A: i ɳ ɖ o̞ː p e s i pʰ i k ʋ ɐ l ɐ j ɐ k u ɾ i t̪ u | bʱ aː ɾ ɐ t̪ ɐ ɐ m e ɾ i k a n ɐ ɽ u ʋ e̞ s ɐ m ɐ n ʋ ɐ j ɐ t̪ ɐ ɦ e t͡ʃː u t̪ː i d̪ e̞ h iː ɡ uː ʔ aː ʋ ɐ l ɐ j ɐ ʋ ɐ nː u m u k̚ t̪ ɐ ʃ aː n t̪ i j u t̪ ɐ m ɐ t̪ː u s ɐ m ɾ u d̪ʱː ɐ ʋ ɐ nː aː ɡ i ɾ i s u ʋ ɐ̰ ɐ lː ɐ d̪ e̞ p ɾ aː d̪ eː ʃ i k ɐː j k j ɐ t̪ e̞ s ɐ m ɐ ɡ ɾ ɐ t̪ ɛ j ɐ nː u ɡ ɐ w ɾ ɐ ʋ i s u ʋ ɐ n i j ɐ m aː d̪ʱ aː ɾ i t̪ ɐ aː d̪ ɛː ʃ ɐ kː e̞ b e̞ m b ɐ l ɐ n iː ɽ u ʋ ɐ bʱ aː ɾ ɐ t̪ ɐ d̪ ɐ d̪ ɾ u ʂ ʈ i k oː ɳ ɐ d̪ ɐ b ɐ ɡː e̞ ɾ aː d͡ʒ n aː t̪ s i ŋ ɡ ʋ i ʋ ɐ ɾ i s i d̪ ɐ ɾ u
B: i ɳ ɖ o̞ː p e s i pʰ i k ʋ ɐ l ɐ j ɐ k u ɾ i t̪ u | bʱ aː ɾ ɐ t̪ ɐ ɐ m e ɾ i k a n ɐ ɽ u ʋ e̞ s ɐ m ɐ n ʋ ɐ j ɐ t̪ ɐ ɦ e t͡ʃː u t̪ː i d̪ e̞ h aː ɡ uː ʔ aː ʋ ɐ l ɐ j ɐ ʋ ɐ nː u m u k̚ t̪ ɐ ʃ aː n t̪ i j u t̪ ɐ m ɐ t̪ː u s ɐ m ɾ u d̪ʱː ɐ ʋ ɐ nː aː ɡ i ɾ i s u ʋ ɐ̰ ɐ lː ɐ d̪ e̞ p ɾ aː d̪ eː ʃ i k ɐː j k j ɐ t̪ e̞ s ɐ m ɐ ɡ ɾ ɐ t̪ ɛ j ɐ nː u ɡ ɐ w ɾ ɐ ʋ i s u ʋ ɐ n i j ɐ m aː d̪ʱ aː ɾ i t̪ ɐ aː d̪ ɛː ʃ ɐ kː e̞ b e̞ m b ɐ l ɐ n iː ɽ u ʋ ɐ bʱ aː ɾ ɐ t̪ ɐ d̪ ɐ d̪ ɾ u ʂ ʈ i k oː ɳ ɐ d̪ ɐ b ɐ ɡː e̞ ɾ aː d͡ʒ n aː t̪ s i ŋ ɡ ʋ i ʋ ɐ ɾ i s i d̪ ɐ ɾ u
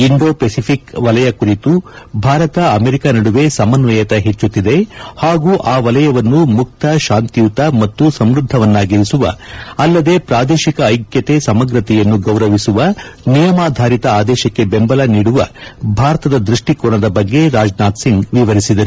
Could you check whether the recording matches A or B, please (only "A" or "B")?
B